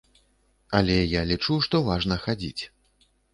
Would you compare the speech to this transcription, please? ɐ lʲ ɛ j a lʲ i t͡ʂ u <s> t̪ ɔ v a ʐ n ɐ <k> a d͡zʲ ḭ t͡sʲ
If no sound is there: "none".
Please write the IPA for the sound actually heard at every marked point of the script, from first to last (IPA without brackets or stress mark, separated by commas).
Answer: ʂ, x